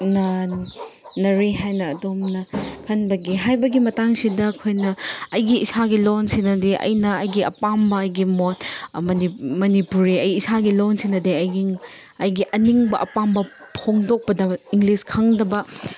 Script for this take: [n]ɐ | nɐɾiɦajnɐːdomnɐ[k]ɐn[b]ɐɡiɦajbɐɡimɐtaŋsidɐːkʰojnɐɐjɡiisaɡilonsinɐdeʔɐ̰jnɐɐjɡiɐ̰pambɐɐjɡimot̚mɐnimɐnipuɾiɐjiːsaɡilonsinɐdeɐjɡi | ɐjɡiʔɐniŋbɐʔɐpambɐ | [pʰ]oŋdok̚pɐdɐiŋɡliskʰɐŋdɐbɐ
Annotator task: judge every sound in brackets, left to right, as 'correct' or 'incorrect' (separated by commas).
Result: correct, incorrect, correct, correct